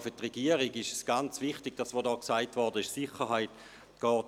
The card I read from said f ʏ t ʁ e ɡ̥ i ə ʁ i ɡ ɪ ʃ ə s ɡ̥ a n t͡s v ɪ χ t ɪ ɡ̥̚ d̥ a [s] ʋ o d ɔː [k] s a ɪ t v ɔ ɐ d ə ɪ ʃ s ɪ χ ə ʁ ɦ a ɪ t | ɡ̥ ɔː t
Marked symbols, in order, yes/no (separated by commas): yes, yes